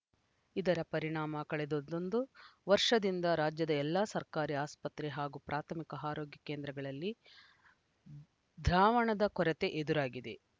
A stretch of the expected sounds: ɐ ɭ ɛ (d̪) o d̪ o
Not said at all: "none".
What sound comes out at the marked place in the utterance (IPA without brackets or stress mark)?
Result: d̪